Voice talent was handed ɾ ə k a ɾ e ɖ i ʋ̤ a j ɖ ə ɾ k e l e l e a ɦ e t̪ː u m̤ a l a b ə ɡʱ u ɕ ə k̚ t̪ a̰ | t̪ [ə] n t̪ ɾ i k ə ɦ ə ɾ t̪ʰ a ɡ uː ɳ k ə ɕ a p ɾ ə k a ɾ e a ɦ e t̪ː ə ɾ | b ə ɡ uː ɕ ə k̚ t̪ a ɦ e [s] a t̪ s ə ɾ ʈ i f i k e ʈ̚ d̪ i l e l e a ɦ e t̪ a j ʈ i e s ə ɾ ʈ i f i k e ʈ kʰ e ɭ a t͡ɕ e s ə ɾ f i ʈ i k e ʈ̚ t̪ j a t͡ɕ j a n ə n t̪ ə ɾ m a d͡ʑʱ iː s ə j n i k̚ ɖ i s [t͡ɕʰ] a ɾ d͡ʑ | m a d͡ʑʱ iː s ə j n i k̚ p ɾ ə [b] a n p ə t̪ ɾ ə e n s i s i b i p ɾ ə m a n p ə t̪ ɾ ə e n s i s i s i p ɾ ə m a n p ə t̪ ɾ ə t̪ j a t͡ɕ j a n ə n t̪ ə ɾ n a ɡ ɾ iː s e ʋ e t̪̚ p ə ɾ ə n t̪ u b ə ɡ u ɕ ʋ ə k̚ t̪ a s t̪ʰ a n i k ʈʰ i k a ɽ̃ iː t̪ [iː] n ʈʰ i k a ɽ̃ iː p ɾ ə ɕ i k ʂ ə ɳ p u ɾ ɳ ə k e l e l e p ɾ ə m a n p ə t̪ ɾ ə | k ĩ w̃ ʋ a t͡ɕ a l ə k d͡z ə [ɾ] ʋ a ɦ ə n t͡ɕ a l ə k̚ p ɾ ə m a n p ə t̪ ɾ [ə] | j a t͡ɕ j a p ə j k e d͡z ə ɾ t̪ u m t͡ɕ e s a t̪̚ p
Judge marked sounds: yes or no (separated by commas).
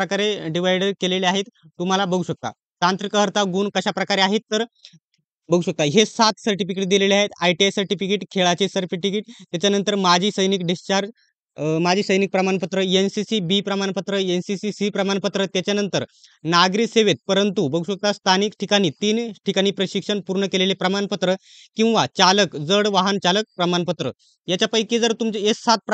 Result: no, yes, no, no, yes, no, yes